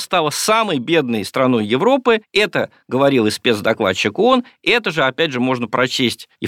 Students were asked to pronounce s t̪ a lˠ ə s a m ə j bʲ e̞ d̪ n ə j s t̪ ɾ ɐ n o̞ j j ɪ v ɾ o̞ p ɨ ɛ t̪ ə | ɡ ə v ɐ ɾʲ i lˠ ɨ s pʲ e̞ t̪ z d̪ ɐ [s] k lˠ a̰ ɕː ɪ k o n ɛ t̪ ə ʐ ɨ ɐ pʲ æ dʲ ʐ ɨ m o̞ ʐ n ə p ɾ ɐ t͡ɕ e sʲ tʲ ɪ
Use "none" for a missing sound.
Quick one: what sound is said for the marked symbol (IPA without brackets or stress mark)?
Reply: none